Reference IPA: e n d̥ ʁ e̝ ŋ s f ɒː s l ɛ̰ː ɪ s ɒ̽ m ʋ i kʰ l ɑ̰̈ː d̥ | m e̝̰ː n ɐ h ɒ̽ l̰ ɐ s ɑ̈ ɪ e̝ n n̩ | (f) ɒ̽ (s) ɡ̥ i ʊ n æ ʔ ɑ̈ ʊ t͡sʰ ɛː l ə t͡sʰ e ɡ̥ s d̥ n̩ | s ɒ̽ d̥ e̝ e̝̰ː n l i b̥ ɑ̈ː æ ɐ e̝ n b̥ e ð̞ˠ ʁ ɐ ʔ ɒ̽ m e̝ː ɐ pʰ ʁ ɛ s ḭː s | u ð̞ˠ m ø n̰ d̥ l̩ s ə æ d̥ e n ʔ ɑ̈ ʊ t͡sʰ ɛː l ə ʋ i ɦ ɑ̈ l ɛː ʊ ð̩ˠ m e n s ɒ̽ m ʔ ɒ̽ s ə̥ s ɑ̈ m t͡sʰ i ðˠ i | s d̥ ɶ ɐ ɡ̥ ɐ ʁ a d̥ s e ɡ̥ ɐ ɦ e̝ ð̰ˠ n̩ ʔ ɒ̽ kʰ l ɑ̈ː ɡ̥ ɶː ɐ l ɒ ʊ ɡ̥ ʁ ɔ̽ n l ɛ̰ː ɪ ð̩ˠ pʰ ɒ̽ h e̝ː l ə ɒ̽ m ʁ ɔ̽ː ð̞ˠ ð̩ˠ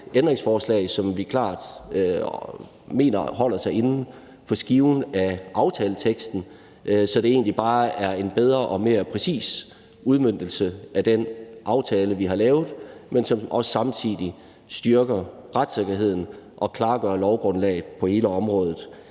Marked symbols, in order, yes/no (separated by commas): yes, yes